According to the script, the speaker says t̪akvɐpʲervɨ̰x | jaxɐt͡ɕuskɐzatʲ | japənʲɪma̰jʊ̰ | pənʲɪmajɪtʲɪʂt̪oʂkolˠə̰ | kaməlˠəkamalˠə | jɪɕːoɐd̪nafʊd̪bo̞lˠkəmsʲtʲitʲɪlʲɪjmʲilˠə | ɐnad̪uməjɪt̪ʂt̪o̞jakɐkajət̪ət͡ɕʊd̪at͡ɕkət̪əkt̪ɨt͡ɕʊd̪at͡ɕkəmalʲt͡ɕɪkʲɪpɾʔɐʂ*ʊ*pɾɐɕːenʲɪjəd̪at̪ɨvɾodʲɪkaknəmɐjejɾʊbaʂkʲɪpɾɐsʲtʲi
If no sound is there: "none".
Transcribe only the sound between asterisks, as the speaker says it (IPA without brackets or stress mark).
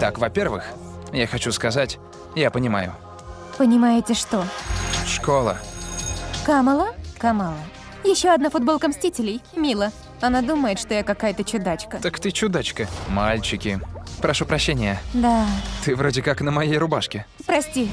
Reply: u